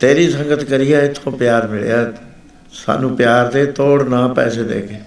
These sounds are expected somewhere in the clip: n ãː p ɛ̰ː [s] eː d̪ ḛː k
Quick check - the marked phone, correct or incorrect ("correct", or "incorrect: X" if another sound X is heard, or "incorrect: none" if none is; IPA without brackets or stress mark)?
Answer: correct